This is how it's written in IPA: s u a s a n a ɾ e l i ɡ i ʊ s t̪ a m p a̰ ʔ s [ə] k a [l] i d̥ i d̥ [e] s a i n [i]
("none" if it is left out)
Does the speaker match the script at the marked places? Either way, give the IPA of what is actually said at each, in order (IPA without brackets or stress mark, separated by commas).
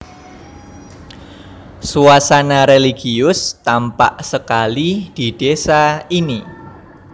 ə, l, e, i